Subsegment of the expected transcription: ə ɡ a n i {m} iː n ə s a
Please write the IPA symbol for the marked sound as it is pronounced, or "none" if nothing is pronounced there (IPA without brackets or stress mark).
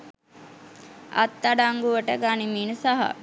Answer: m